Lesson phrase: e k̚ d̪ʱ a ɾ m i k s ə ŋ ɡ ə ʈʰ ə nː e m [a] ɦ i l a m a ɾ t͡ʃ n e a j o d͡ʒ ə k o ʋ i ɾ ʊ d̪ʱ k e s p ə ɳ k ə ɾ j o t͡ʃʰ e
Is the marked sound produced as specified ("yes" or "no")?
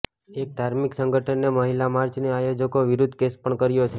no